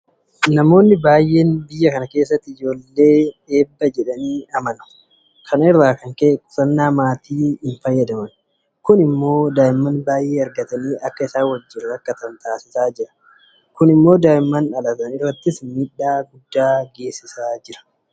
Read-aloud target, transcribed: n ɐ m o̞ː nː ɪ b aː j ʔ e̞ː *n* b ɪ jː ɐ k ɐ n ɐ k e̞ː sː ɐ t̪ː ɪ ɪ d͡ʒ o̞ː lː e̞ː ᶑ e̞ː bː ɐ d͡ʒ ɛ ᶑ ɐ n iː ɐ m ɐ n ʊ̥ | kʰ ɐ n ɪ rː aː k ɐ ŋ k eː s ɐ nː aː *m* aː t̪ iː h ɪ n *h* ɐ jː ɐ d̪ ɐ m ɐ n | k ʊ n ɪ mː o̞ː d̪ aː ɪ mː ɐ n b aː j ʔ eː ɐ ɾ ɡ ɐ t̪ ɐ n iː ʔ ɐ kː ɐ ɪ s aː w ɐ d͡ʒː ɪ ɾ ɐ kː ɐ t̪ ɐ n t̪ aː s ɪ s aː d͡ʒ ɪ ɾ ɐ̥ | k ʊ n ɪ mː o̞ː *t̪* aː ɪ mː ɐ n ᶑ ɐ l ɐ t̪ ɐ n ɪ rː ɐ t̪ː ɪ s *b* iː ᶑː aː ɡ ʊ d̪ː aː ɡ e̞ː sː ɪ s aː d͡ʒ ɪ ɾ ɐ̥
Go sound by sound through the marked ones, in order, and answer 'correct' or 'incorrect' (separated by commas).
correct, correct, incorrect, incorrect, incorrect